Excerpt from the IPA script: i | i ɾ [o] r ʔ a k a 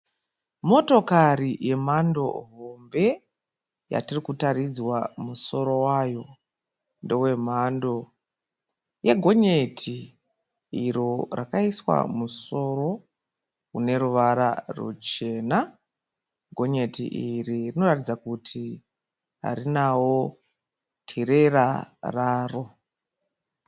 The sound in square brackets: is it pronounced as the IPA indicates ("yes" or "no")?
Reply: yes